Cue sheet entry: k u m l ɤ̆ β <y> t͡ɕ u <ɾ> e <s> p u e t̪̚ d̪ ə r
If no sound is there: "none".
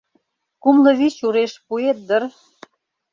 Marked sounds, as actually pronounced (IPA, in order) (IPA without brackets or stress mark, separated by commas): i, ɾ, ʃ